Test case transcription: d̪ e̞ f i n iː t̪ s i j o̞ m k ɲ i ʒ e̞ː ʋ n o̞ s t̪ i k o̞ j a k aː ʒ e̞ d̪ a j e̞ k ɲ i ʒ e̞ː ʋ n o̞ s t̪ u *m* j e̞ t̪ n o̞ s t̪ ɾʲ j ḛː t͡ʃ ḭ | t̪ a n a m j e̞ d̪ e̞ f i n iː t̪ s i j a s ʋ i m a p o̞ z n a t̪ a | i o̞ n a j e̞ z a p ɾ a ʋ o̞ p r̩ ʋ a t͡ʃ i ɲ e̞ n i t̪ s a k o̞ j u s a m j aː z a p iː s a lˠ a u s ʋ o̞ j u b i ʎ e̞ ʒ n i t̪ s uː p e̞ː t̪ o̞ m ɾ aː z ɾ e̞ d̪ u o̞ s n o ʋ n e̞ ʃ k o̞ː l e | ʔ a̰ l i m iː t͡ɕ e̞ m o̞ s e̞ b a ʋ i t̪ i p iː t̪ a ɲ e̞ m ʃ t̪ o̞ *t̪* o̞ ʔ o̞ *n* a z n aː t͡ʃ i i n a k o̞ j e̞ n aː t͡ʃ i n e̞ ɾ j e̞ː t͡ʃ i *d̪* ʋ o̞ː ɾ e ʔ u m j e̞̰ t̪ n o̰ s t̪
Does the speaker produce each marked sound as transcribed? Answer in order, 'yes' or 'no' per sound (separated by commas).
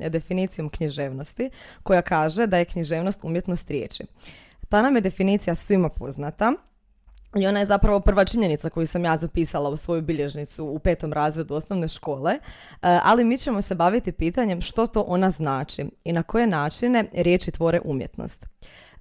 yes, yes, yes, no